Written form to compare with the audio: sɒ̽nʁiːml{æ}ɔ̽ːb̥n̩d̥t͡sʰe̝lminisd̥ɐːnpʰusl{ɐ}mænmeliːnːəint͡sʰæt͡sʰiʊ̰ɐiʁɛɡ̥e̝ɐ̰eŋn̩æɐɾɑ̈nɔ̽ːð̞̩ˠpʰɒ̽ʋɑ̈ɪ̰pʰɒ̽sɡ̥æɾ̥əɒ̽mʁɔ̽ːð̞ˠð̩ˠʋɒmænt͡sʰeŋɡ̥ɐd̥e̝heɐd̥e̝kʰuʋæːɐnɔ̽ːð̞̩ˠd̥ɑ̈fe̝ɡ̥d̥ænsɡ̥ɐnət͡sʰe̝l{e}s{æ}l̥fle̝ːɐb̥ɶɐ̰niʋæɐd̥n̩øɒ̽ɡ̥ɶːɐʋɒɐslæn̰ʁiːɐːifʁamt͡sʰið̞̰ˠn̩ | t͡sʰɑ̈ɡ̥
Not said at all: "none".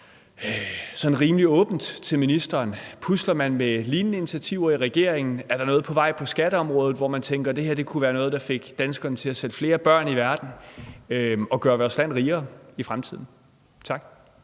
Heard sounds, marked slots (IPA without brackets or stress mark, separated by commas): i, ɐ, æ, e